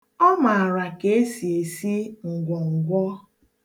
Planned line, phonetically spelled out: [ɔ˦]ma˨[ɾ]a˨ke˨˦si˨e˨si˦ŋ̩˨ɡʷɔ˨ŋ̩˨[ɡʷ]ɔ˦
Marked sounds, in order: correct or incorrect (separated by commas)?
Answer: correct, correct, correct